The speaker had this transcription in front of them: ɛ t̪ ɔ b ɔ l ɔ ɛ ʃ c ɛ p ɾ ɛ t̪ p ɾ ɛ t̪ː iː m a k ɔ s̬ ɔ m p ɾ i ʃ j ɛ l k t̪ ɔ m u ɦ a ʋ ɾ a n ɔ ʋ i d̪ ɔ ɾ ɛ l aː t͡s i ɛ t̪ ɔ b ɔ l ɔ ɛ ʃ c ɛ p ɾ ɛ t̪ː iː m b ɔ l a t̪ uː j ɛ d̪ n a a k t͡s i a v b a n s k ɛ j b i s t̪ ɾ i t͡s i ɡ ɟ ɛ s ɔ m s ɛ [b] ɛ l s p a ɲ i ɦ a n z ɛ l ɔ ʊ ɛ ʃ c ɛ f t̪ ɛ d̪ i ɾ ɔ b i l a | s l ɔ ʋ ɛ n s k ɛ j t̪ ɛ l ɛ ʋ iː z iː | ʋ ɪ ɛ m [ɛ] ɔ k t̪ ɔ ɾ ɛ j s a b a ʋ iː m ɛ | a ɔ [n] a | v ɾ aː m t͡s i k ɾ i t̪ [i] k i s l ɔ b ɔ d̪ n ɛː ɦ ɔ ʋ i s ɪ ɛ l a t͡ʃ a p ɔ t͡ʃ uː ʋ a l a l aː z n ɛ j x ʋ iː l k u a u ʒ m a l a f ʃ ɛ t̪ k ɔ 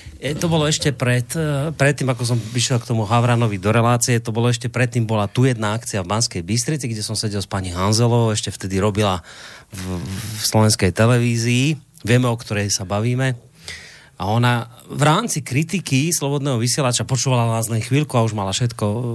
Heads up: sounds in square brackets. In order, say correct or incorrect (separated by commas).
incorrect, correct, correct, correct